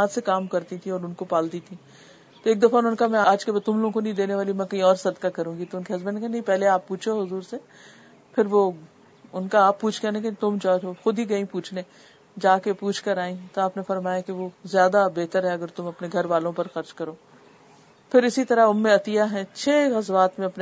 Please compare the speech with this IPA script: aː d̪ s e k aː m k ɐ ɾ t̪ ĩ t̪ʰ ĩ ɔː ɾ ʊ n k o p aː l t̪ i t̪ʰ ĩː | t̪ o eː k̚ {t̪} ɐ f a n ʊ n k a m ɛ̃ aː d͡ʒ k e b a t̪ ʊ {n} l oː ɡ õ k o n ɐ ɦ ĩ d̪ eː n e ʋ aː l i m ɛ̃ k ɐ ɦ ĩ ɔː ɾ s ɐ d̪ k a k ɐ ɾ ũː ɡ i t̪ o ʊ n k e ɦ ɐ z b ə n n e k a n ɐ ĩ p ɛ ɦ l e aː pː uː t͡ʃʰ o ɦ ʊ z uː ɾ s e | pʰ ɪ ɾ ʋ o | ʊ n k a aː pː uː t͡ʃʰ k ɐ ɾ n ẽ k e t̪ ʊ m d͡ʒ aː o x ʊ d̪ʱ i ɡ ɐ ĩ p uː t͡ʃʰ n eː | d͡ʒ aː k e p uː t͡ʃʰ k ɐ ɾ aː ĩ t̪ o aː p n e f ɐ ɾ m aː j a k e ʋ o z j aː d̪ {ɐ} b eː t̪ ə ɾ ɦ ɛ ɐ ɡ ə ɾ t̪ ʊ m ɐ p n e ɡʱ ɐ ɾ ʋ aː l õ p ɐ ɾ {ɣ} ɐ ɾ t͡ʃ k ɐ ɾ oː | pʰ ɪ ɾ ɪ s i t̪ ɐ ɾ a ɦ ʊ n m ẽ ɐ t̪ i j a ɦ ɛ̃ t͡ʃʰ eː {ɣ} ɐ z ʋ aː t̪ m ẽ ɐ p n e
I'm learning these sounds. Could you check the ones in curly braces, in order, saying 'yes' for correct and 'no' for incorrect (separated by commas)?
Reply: no, no, no, no, yes